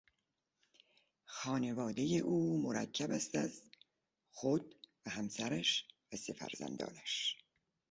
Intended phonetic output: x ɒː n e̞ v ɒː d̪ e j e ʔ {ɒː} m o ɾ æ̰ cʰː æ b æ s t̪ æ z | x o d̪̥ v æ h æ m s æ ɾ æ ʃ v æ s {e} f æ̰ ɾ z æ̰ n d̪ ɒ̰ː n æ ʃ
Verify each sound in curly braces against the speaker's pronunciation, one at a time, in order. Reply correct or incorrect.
incorrect, correct

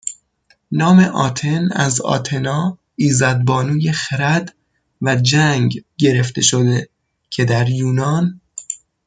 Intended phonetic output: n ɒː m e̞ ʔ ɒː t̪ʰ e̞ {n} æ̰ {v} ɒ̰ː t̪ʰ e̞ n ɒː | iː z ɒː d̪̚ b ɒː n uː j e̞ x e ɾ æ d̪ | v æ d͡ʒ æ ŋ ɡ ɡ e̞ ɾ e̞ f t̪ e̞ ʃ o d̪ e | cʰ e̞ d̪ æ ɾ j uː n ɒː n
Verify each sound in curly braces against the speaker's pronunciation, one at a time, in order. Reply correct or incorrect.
correct, incorrect

